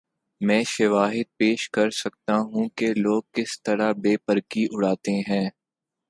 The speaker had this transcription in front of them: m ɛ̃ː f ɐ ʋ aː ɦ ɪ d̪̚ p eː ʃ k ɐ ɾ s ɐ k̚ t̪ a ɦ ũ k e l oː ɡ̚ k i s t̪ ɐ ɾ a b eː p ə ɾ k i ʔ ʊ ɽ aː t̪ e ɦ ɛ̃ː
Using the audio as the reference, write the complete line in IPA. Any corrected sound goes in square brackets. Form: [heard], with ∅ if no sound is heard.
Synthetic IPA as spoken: m ɛ̃ː [ʃ] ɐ ʋ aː ɦ ɪ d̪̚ p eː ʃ k ɐ ɾ s ɐ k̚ t̪ a ɦ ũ k e l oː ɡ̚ k [ɪ] s t̪ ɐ ɾ a b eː p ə ɾ k i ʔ ʊ ɽ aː t̪ e ɦ ɛ̃ː